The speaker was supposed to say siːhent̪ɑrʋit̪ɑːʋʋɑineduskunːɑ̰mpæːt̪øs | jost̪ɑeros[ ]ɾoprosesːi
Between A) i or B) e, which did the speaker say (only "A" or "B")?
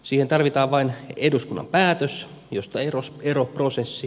B